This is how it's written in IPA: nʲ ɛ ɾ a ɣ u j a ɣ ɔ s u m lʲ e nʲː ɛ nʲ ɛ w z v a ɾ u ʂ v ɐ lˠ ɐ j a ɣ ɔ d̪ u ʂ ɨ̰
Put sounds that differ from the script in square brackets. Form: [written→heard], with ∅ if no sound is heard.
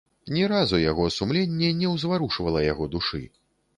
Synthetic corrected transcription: nʲ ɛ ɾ a [ɣ→z] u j a ɣ ɔ s u m lʲ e nʲː ɛ nʲ ɛ w z v a ɾ u ʂ v ɐ lˠ ɐ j a ɣ ɔ d̪ u ʂ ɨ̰